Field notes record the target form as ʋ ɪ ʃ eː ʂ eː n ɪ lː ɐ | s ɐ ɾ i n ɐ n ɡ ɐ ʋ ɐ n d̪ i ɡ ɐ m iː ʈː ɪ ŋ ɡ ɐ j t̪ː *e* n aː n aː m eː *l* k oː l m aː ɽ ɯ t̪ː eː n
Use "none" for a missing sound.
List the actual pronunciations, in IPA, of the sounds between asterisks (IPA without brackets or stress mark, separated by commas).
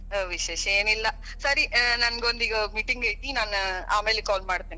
i, l